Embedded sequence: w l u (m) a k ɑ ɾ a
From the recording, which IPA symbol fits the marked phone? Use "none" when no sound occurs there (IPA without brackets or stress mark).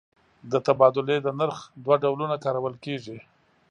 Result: n